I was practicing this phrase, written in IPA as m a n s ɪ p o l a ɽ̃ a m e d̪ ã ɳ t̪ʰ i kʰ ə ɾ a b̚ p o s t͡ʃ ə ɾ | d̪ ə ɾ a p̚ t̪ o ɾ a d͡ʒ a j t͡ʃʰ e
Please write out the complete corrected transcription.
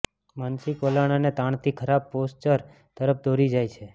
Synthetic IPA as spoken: m a n s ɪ k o l a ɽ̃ a n e t̪ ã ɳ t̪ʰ i kʰ ə ɾ a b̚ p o s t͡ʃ ə ɾ | t̪ ə ɾ ə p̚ d̪ o ɾ i d͡ʒ a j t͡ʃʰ e